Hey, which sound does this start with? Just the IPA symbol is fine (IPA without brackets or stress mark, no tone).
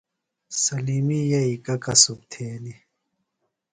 s